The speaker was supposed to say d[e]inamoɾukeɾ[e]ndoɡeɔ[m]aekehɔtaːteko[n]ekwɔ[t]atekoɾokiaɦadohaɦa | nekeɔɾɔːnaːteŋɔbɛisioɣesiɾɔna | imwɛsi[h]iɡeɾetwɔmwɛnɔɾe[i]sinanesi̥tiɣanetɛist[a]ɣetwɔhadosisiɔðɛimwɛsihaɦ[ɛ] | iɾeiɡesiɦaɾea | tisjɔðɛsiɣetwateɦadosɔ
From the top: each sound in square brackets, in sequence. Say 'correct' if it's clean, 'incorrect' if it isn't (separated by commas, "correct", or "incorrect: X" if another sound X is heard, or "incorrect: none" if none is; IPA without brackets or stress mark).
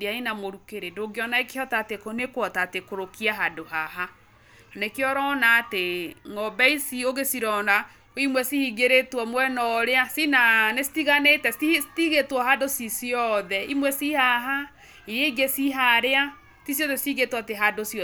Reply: incorrect: a, correct, incorrect: n, correct, correct, correct, incorrect: a, incorrect: i, incorrect: a